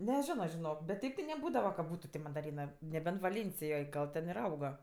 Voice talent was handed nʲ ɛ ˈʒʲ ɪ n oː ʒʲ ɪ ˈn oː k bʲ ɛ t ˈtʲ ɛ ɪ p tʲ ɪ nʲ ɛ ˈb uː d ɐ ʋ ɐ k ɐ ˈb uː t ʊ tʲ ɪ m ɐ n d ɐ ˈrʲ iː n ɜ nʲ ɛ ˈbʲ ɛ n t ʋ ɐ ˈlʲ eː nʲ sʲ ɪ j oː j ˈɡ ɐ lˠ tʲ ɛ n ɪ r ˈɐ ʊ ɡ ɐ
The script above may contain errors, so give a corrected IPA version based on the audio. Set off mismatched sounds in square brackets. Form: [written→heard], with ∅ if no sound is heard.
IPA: nʲ ɛ ˈʒʲ ɪ n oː ʒʲ ɪ ˈn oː k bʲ ɛ t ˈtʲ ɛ ɪ p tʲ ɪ nʲ ɛ ˈb uː d ɐ ʋ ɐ k ɐ ˈb uː t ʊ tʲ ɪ m ɐ n d ɐ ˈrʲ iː n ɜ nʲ ɛ ˈbʲ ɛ n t ʋ ɐ ˈlʲ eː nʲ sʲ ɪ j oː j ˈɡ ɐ lˠ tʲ ɛ n ɪ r ˈɐ ʊ ɡ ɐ